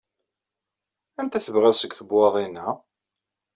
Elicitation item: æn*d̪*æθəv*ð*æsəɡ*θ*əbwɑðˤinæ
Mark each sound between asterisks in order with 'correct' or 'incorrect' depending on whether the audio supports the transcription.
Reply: incorrect, incorrect, correct

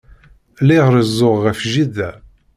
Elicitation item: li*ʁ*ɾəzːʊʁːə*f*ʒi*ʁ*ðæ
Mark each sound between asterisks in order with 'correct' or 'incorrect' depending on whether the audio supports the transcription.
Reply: correct, correct, incorrect

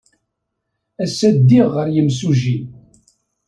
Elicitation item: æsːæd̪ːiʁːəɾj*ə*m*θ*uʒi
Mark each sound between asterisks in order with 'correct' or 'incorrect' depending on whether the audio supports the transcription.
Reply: correct, incorrect

